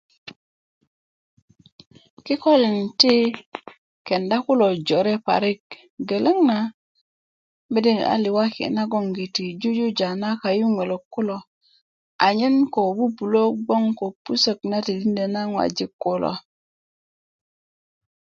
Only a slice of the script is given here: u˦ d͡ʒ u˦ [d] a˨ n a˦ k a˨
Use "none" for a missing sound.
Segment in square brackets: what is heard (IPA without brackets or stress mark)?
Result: d͡ʒ